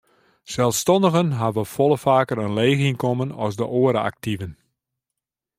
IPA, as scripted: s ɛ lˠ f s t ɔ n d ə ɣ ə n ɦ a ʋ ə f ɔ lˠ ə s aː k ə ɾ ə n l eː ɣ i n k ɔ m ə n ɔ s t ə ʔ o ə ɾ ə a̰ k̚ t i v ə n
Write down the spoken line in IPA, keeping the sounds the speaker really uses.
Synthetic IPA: s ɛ lˠ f s t ɔ n d ə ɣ ə n ɦ a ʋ ə f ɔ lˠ ə f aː k ə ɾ ə n l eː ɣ i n k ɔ m ə n ɔ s d ə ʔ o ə ɾ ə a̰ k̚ t i v ə n